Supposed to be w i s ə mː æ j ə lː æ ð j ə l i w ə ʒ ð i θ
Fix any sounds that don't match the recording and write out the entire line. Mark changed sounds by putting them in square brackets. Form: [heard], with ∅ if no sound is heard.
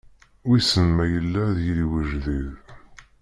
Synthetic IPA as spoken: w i s ə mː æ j ə lː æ ð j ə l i w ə ʒ ð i [ð]